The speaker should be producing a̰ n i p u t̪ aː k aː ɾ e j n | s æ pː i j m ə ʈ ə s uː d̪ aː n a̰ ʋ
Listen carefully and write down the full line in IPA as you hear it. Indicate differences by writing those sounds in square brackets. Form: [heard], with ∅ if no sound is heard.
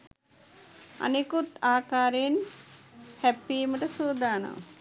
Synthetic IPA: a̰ n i [k] u t̪ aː k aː ɾ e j n | [h] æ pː i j m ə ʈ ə s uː d̪ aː n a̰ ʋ